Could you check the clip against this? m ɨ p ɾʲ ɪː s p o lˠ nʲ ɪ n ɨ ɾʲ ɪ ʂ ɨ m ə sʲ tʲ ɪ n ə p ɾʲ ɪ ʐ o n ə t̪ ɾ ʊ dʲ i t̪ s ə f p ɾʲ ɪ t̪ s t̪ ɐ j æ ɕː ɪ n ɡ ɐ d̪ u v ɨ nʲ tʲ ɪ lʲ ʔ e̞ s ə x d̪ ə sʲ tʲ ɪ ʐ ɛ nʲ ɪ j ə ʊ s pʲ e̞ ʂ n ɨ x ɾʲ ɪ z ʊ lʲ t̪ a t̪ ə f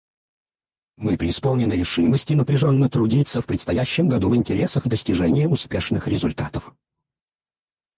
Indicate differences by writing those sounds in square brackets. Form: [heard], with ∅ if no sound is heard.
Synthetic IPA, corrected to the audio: m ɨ p ɾʲ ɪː s p o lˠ nʲ ɪ n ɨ ɾʲ ɪ ʂ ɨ m ə sʲ tʲ ɪ n ə p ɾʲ ɪ ʐ o [nː] ə t̪ ɾ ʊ dʲ i t̪ s ə f p ɾʲ ɪ t̪ s t̪ ɐ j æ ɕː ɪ [m] ɡ ɐ d̪ u v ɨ nʲ tʲ ɪ [ɾʲ] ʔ e̞ s ə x d̪ ə sʲ tʲ ɪ ʐ ɛ nʲ ɪ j ə ʊ s pʲ e̞ ʂ n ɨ x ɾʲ ɪ z ʊ lʲ t̪ a t̪ ə f